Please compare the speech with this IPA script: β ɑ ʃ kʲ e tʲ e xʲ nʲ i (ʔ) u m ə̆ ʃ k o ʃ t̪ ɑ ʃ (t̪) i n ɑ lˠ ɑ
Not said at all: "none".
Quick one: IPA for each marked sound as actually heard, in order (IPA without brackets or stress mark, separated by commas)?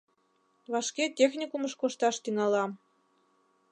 k, t̪